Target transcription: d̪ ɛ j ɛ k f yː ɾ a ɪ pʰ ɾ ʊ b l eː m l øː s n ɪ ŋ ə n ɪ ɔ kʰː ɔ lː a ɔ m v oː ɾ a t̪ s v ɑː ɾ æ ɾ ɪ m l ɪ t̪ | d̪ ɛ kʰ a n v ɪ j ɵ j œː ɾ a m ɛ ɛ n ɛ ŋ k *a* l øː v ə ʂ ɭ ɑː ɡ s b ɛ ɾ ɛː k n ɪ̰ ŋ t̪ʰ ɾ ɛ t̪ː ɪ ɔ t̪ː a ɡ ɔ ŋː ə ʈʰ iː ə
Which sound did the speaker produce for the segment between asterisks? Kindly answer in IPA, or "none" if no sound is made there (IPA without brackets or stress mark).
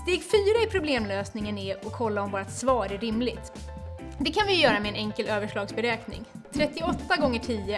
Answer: ə